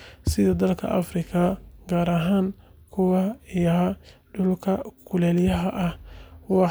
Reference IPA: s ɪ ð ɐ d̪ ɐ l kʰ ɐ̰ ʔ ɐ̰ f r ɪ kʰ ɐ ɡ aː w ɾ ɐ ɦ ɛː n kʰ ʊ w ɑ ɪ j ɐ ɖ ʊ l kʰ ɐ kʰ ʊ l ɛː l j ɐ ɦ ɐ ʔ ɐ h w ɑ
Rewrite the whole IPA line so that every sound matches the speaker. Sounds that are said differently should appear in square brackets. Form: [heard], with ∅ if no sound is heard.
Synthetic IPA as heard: s ɪ ð ɐ d̪ ɐ l kʰ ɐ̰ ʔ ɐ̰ f r ɪ kʰ ɐ ɡ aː [∅] ɾ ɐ ɦ [aː] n kʰ ʊ w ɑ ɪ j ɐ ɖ ʊ l kʰ ɐ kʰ ʊ l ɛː l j ɐ ɦ ɐ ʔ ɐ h w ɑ

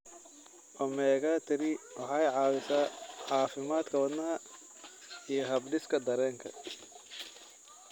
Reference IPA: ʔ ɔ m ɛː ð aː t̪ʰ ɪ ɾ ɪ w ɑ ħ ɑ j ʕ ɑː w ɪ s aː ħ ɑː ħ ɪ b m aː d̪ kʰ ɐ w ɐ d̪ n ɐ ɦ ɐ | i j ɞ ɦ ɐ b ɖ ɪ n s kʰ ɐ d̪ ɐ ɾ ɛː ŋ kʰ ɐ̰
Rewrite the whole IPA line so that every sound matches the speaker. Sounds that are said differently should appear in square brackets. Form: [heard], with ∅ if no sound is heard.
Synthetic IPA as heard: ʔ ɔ m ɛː [ɣ] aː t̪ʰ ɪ ɾ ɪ w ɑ ħ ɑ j ʕ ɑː w ɪ s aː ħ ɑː [f] ɪ [∅] m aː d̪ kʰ ɐ w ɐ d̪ n ɐ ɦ ɐ | i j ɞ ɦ ɐ b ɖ ɪ [∅] s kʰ ɐ d̪ ɐ ɾ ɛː ŋ kʰ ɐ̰

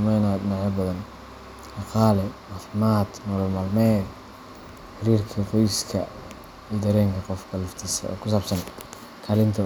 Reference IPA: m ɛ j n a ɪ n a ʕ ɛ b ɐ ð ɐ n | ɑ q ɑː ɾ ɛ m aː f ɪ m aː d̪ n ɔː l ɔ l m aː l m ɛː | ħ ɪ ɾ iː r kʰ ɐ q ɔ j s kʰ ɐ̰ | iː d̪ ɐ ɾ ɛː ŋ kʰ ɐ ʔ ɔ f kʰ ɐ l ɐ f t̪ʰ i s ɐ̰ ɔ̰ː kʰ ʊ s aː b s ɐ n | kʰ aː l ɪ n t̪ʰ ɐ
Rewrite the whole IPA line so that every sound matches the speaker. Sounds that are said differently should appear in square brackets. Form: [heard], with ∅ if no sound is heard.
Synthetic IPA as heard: m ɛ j n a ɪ n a ʕ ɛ b ɐ ð ɐ n | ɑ q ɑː [l] ɛ m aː f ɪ m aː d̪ n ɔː l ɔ l m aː l m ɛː | ħ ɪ ɾ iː r kʰ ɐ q ɔ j s kʰ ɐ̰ | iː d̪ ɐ ɾ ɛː ŋ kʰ ɐ [q] ɔ f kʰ ɐ l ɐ f t̪ʰ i s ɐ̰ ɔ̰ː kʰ ʊ s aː b s ɐ n | kʰ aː l ɪ n t̪ʰ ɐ

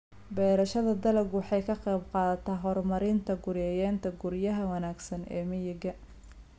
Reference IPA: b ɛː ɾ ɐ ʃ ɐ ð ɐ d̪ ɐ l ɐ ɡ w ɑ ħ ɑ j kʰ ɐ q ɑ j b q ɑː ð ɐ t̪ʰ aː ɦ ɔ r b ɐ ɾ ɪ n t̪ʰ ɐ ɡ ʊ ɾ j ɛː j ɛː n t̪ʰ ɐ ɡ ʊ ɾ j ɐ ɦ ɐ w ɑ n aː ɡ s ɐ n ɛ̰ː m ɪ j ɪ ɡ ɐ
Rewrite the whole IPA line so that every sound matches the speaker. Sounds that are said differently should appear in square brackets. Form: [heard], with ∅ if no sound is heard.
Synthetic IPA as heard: b ɛː ɾ ɐ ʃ ɐ ð ɐ d̪ ɐ l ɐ ɡ w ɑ ħ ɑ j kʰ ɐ q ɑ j b q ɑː ð ɐ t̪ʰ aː ɦ ɔ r [m] ɐ ɾ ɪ n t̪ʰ ɐ ɡ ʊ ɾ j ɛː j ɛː n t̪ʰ ɐ ɡ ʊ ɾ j ɐ ɦ ɐ w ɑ n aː ɡ s ɐ n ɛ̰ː m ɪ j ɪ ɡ ɐ

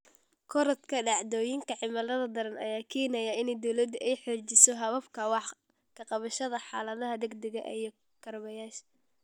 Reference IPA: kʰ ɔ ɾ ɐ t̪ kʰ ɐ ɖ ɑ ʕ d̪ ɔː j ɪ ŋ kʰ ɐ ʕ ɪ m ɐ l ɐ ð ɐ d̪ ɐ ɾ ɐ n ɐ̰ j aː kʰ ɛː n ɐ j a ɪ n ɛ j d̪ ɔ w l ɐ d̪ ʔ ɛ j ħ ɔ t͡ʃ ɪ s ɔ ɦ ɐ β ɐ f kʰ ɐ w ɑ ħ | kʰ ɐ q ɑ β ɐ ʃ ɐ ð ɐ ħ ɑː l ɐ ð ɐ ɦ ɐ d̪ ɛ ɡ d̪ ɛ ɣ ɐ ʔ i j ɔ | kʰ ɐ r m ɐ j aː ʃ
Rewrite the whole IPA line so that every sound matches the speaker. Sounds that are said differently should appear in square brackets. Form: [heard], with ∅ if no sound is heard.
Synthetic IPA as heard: kʰ ɔ ɾ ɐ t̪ kʰ ɐ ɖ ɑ ʕ d̪ ɔː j ɪ ŋ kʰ ɐ ʕ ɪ m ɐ l ɐ ð ɐ d̪ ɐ ɾ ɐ n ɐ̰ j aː kʰ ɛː n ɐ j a ɪ n ɛ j d̪ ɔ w l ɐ d̪ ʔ ɛ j ħ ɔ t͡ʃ ɪ s ɔ ɦ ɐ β ɐ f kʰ ɐ w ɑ ħ | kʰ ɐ q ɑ β ɐ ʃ ɐ ð ɐ ħ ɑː l ɐ ð ɐ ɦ ɐ d̪ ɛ ɡ d̪ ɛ ɣ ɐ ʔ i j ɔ | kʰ ɐ r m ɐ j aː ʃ

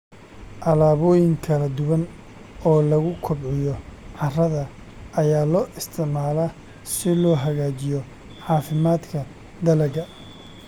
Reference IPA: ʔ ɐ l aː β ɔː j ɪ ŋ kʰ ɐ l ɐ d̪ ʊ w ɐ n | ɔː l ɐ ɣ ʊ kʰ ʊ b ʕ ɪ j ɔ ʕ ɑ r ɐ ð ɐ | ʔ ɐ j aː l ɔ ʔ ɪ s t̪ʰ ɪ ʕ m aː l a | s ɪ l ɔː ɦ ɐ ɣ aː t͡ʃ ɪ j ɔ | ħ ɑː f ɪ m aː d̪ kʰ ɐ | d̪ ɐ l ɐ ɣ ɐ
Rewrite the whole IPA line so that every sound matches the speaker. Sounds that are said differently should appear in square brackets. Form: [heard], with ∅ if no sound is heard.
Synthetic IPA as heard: ʔ ɐ l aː β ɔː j ɪ ŋ kʰ ɐ l ɐ d̪ ʊ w ɐ n | ɔː l ɐ ɣ ʊ kʰ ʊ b ʕ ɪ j ɔ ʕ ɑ r ɐ ð ɐ | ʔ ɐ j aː l [ɔː] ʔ ɪ s t̪ʰ ɪ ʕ m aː l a | s ɪ l ɔː ɦ ɐ ɣ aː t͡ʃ ɪ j ɔ | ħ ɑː f ɪ m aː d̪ kʰ ɐ | d̪ ɐ l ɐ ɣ ɐ

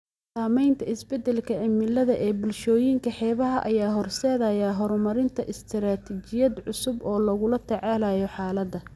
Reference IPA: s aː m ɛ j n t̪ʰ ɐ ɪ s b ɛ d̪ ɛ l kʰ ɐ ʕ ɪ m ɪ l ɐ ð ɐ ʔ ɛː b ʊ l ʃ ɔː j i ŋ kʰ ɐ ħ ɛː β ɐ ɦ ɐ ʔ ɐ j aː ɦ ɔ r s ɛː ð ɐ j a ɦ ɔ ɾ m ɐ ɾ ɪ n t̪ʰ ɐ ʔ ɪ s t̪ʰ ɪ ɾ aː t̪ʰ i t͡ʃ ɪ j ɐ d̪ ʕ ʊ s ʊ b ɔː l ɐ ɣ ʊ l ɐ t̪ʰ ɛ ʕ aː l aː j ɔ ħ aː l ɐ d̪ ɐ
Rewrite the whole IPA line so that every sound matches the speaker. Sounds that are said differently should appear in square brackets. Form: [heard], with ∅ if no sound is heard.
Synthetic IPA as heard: s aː m ɛ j n t̪ʰ ɐ ɪ s b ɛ d̪ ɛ l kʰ ɐ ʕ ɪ m ɪ l ɐ ð ɐ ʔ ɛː b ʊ l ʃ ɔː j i ŋ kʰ ɐ ħ ɛː β ɐ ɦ ɐ ʔ ɐ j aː ɦ ɔ r s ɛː ð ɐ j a ɦ ɔ ɾ m ɐ ɾ ɪ n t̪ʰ ɐ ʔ ɪ s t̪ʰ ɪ ɾ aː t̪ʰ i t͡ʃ ɪ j ɐ d̪ ʕ ʊ s ʊ b ɔː l ɐ ɣ ʊ l ɐ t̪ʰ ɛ ʕ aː l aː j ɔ ħ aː l ɐ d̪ ɐ

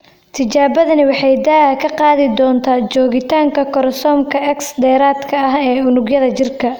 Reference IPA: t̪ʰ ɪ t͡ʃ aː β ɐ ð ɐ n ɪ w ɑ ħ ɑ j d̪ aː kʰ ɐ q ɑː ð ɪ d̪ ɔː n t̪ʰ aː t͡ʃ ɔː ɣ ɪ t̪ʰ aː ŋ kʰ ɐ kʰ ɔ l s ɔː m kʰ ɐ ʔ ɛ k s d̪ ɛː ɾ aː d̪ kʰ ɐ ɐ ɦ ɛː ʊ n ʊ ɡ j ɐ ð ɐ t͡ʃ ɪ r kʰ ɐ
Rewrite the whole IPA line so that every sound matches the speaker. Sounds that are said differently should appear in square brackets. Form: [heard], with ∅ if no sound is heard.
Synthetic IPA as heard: t̪ʰ ɪ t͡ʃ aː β ɐ ð ɐ n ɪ w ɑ ħ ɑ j d̪ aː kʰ ɐ q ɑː ð ɪ d̪ ɔː n t̪ʰ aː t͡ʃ ɔː ɣ ɪ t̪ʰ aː ŋ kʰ ɐ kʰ ɔ [ɾ] s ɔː m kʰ ɐ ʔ ɛ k s d̪ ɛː ɾ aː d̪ kʰ ɐ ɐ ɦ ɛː ʊ n ʊ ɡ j ɐ ð ɐ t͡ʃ ɪ r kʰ ɐ

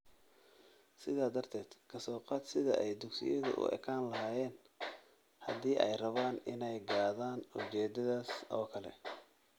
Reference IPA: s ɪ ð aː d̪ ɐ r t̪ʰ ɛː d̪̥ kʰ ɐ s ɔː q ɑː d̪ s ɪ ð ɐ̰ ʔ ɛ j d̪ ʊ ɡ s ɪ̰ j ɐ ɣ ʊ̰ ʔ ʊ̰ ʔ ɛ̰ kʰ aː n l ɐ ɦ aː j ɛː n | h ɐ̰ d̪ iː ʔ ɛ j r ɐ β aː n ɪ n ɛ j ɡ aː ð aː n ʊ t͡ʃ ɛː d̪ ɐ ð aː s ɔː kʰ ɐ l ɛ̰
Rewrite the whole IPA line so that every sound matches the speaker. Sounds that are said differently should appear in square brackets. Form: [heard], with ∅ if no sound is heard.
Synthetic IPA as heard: s ɪ ð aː d̪ ɐ r t̪ʰ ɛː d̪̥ kʰ ɐ s ɔː q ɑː d̪ s ɪ ð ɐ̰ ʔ ɛ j d̪ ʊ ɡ s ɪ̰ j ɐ [ð] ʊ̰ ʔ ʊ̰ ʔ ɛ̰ kʰ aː n l ɐ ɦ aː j ɛː n | h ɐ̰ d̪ iː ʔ ɛ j r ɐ β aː n ɪ n ɛ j ɡ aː ð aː n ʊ t͡ʃ ɛː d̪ ɐ ð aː s ɔː kʰ ɐ l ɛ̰

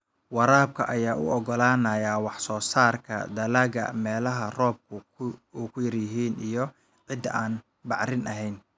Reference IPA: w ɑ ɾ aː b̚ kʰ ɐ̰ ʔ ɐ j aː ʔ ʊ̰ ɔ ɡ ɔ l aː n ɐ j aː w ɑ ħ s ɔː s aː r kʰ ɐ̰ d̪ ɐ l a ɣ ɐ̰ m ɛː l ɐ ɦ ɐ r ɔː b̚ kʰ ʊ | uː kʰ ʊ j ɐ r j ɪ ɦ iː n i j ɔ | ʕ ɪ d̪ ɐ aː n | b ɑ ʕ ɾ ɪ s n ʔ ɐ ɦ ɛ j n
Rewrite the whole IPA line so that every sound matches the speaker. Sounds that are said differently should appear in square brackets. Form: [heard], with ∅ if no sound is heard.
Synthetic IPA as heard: w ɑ ɾ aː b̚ kʰ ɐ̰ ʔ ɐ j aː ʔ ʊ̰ ɔ ɡ ɔ l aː n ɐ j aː w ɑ ħ s ɔː s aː r kʰ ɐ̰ d̪ ɐ l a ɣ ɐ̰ m ɛː l ɐ ɦ ɐ r ɔː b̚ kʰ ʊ | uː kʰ ʊ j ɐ r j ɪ ɦ iː n i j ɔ | ʕ ɪ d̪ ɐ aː n | b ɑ ʕ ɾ ɪ [∅] n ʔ ɐ ɦ ɛ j n

